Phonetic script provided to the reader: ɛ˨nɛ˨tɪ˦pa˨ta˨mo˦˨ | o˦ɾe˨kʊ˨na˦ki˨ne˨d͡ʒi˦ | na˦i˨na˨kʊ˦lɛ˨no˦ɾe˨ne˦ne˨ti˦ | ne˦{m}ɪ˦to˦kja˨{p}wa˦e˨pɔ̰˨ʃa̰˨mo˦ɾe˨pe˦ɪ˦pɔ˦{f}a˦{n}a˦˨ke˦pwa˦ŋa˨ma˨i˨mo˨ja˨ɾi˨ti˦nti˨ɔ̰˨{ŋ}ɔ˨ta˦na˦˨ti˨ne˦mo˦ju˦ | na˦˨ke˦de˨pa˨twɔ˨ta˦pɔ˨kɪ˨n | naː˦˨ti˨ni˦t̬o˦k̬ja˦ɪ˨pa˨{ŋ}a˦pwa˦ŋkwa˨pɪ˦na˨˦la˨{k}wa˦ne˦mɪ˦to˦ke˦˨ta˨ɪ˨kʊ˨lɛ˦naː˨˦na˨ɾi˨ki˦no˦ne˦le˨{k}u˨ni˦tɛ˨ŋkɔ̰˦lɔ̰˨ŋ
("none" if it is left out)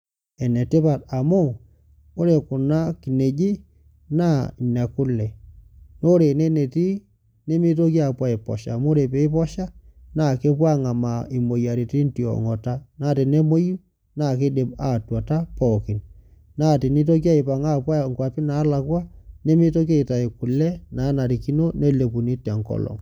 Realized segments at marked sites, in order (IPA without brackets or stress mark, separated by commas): m, p, ʃ, n, ŋ, ŋ, k, p